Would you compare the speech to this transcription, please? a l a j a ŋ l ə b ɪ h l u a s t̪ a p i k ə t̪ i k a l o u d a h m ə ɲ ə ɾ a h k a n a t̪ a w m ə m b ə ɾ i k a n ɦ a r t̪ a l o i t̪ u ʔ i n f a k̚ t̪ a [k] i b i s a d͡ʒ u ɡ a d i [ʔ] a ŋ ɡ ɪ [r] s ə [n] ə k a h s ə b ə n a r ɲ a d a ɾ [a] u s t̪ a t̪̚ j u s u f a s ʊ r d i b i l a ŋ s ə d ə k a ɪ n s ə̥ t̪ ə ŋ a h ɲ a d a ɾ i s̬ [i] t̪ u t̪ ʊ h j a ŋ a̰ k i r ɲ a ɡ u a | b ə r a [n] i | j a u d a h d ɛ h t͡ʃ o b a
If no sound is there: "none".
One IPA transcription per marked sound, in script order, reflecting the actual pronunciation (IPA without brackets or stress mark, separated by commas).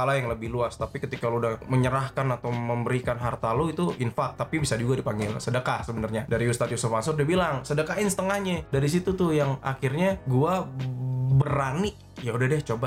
p, p, l, d, i, i, n